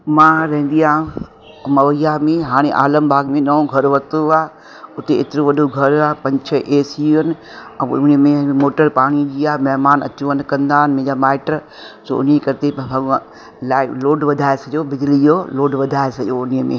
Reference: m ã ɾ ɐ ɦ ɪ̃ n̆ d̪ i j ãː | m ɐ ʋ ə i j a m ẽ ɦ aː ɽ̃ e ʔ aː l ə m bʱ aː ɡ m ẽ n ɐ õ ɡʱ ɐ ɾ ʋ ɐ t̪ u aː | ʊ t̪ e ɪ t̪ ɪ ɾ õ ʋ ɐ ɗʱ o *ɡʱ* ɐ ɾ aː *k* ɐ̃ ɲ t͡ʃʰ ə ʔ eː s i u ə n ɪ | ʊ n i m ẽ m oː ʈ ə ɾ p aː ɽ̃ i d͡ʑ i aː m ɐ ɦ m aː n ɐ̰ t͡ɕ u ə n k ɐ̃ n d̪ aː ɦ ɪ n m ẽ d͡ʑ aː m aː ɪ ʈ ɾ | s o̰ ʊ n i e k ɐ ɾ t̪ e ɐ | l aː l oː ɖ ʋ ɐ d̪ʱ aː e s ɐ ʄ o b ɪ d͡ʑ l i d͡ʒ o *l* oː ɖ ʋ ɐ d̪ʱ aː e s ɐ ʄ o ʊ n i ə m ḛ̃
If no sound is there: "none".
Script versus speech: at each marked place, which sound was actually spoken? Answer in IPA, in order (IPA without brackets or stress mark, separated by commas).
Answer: ɡʱ, p, l